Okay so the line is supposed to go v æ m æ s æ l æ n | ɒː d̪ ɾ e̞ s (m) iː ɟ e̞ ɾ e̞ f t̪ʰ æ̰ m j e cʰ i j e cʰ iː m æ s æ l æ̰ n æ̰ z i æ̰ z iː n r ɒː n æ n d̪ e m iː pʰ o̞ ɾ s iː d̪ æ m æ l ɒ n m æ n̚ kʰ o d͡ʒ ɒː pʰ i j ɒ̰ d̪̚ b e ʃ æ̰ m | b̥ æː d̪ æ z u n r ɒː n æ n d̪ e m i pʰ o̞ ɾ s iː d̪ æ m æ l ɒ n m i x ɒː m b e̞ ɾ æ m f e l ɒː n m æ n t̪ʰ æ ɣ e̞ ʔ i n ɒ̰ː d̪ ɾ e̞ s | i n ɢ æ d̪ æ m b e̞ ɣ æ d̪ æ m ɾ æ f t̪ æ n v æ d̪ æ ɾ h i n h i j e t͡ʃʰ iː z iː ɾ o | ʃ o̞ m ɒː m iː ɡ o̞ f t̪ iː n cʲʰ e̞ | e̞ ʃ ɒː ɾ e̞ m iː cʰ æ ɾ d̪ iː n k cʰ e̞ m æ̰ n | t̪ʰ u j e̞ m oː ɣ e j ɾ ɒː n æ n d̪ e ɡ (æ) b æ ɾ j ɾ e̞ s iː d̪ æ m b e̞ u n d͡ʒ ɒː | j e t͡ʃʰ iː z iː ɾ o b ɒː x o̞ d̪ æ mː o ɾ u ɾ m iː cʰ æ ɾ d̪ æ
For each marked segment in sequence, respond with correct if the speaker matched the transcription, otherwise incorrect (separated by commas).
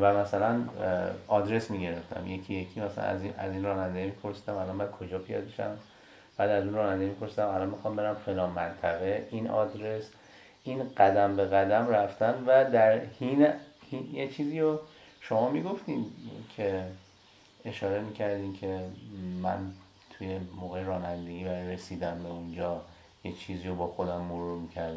correct, incorrect